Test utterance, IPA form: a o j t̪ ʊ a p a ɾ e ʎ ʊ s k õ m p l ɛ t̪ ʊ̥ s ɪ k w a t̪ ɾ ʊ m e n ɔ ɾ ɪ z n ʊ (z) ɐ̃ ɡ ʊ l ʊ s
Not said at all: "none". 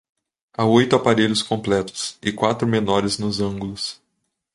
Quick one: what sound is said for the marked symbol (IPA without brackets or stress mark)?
z